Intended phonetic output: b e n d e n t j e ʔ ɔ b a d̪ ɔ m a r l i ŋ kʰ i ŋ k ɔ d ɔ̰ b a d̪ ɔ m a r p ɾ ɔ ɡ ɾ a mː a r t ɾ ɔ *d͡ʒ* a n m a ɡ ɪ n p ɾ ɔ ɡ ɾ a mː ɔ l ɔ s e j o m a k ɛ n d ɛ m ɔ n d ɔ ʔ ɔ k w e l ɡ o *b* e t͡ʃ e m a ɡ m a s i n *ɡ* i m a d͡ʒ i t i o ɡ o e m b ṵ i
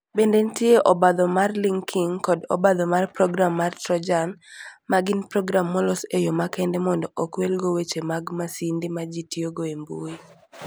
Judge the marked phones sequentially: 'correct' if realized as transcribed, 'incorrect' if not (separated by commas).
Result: correct, incorrect, incorrect